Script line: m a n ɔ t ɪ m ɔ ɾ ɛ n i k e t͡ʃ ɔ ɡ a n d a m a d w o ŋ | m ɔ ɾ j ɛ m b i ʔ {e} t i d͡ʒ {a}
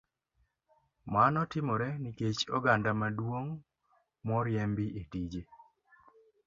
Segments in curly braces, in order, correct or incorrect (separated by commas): correct, incorrect